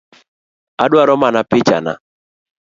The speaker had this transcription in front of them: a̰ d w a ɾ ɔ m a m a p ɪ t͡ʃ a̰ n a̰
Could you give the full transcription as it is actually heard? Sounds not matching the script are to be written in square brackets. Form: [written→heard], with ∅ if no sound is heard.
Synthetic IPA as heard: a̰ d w a ɾ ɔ m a [m→n] a p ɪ t͡ʃ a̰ n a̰